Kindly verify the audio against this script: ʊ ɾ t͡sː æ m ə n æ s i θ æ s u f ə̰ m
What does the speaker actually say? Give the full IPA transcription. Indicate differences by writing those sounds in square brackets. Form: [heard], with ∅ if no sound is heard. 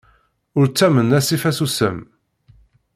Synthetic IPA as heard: ʊ ɾ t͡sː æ m ə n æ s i [f] æ s u [s] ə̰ m